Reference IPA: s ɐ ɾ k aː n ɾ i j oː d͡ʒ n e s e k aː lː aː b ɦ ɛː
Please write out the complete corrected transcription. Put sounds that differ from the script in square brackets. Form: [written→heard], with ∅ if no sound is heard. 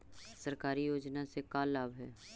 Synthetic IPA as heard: s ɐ ɾ k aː [n→∅] ɾ i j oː d͡ʒ n [e→a] s e k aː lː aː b ɦ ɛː

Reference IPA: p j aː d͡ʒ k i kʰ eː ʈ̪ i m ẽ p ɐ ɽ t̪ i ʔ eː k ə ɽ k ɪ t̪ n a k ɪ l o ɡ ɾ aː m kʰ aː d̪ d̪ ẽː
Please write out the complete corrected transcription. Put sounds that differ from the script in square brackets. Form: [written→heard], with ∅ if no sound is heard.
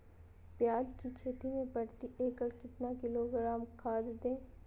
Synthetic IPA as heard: p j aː d͡ʒ k i kʰ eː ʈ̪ i m ẽ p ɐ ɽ t̪ i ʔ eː k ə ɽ k ɪ t̪ n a k ɪ l o ɡ ɾ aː m kʰ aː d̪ d̪ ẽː

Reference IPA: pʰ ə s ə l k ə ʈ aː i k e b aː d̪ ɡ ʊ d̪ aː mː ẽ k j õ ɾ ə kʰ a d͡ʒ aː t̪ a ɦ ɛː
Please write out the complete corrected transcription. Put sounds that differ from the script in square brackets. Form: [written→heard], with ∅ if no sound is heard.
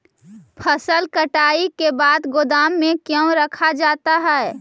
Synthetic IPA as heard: pʰ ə s ə l k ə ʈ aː i k e b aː d̪ ɡ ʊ d̪ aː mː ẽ k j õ ɾ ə kʰ a d͡ʒ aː t̪ a ɦ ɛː

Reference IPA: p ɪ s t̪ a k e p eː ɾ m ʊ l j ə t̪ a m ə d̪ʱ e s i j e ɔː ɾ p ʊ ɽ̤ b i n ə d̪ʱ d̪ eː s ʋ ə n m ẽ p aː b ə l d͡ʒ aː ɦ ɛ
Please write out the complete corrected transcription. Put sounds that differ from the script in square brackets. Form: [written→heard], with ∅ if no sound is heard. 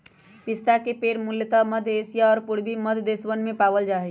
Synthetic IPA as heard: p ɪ s t̪ a k e p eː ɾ m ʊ l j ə t̪ a m ə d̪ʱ e s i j [e→a] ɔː ɾ p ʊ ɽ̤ b i [n→m] ə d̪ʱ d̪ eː s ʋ ə n m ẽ p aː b ə l d͡ʒ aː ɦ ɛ

